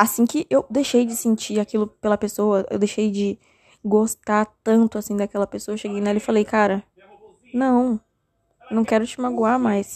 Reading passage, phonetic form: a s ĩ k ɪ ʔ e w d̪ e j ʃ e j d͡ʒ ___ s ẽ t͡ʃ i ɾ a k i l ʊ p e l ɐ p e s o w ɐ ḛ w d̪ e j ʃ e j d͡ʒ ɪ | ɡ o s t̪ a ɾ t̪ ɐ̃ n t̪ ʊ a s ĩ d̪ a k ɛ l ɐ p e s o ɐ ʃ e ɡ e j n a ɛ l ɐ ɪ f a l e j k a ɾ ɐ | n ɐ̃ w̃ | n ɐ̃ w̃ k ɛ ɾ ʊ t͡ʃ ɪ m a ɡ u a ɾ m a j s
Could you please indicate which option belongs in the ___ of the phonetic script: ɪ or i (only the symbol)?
ɪ